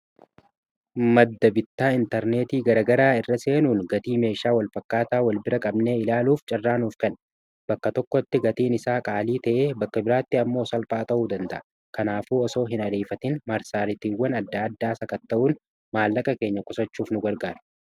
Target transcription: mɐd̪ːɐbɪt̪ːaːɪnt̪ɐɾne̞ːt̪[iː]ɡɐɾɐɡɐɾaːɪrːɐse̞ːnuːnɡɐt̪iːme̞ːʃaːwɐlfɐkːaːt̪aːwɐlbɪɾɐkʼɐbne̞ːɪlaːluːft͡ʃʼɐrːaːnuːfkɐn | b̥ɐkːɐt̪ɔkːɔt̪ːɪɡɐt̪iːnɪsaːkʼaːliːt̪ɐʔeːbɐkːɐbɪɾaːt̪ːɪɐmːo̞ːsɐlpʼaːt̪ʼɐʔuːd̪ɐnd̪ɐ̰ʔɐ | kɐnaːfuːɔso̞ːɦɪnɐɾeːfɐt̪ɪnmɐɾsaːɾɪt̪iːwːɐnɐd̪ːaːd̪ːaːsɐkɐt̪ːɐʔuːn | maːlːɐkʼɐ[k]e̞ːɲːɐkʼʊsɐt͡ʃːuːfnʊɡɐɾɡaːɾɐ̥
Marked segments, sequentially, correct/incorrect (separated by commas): correct, correct